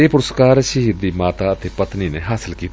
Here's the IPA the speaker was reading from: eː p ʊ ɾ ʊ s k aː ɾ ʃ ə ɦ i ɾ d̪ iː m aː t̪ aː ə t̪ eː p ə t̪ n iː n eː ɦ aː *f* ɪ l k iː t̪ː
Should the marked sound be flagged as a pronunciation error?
yes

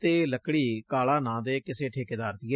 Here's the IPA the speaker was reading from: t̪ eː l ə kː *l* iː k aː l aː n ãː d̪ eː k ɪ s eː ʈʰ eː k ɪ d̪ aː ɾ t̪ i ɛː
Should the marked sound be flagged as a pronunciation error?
yes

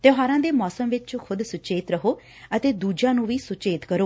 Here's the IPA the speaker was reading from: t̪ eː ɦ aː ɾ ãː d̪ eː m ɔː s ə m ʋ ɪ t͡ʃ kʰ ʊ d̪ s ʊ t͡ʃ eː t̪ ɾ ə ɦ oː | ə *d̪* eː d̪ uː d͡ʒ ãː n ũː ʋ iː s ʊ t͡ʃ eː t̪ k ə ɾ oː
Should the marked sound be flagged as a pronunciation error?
yes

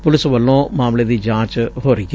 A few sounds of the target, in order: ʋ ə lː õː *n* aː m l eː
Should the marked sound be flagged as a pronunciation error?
yes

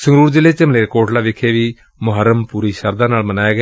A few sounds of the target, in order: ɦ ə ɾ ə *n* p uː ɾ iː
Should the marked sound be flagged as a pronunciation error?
yes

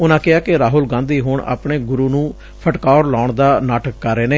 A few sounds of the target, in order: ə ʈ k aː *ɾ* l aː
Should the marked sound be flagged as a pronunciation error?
no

